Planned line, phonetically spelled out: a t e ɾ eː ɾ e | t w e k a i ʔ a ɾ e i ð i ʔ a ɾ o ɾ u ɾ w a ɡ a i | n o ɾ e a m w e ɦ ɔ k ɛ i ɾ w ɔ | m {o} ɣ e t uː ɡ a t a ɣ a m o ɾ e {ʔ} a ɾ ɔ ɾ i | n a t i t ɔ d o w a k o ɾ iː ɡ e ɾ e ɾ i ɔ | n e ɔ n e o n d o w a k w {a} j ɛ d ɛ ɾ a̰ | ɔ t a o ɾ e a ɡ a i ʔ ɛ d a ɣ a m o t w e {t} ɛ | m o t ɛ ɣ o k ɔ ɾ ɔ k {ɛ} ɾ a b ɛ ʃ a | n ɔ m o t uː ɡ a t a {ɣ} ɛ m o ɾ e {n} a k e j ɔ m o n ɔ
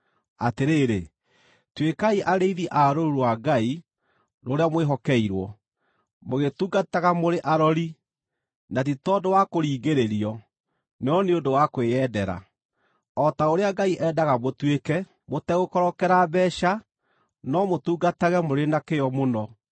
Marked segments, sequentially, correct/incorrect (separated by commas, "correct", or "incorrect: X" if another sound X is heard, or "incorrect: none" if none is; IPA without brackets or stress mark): correct, correct, incorrect: e, incorrect: k, correct, correct, correct